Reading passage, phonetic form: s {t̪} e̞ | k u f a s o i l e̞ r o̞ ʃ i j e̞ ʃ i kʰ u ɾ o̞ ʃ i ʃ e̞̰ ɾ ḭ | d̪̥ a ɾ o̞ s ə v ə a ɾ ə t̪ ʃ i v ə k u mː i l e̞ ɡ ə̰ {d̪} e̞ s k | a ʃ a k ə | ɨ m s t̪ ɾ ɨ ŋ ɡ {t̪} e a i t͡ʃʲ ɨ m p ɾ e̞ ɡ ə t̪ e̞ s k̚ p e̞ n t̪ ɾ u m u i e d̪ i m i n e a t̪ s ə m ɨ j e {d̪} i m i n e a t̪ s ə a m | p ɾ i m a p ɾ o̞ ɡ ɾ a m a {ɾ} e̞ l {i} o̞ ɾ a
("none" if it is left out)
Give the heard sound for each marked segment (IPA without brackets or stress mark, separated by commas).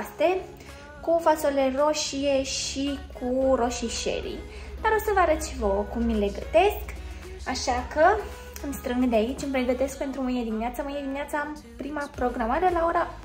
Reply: t̪, t̪, d̪, d̪, ɾ, a